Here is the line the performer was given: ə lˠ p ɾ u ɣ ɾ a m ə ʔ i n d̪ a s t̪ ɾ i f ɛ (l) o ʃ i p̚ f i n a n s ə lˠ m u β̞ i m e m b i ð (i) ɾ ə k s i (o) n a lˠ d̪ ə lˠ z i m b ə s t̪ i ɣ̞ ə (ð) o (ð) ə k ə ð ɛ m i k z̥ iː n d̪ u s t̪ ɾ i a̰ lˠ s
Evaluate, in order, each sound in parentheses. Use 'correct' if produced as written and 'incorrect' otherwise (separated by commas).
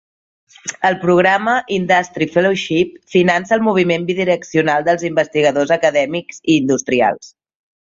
correct, correct, incorrect, correct, incorrect